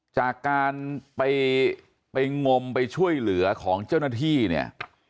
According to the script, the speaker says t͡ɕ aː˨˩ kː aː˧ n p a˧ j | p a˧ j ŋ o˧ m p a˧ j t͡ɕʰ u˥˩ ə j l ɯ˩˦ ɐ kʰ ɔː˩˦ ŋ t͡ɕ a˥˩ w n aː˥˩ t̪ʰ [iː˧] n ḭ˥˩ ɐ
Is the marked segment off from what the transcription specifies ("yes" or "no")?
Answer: yes